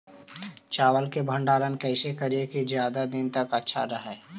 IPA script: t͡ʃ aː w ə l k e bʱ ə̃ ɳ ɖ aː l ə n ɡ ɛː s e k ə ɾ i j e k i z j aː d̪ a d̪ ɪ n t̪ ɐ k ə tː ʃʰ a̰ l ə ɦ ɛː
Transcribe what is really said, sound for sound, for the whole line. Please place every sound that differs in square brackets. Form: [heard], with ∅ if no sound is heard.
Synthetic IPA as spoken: t͡ʃ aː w ə l k e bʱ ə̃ ɳ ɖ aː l ə n [k] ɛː s e k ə ɾ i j e k i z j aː d̪ a d̪ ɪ n t̪ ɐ k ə tː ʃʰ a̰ [ɾ] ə ɦ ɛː